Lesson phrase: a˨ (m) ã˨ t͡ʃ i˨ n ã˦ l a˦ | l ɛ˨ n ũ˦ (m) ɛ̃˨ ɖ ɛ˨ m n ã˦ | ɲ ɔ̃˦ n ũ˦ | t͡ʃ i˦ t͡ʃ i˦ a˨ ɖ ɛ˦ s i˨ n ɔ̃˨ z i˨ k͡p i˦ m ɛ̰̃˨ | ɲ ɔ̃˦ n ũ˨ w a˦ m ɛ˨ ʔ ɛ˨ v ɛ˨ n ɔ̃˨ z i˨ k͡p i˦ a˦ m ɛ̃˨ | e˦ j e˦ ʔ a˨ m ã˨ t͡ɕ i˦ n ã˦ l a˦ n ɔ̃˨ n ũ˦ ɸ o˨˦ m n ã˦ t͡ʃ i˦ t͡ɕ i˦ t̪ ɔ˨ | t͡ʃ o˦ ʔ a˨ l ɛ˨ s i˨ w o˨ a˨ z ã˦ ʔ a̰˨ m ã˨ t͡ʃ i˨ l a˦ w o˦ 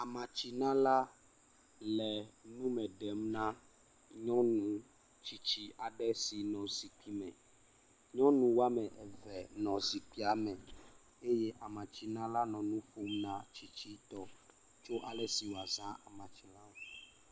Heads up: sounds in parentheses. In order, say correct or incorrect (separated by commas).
correct, correct